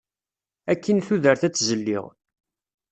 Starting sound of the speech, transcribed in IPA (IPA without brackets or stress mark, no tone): æ